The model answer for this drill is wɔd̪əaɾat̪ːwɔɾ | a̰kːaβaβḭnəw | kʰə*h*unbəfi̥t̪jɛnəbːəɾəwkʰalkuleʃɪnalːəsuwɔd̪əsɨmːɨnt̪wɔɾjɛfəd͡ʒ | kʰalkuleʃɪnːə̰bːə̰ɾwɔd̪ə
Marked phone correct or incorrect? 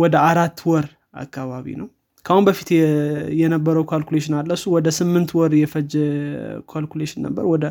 correct